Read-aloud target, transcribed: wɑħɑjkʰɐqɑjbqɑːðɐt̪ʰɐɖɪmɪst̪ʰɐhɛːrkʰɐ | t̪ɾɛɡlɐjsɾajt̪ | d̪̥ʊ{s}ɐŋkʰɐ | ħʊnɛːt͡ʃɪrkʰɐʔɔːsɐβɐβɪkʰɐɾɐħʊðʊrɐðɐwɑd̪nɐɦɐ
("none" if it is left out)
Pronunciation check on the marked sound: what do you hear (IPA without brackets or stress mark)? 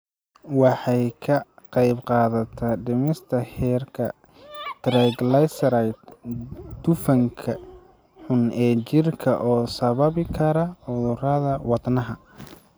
f